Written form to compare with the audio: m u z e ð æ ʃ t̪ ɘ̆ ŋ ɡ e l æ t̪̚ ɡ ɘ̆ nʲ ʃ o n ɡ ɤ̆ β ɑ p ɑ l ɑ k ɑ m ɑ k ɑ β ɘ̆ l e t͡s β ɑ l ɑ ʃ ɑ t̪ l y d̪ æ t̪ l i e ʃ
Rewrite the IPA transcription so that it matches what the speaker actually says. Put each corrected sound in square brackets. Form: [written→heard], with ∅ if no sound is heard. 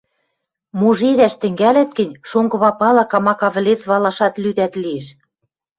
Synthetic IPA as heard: m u [z→ʒ] e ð æ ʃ t̪ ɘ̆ ŋ ɡ [e→æ] l æ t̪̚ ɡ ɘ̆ nʲ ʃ o [n→ŋ] ɡ ɤ̆ β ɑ p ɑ l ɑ k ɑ m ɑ k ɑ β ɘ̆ l e t͡s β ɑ l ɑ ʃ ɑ t̪ l y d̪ æ t̪ l i e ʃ